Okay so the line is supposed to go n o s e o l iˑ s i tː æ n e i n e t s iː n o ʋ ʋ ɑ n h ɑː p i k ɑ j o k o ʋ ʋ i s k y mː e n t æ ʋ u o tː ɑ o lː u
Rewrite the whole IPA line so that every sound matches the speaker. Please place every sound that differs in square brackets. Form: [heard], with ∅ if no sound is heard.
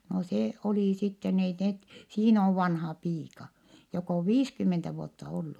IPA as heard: n o s e o l iˑ s i tː [e] n e i n e t s iː n o ʋ ʋ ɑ n h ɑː p [iː] k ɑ j o k o ʋ ʋ [iː] s k y mː e n t æ ʋ u o tː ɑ o lː u